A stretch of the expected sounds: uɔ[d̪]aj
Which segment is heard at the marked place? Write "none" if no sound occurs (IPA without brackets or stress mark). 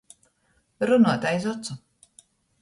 t̪